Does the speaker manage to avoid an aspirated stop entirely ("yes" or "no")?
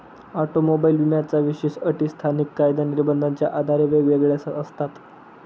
no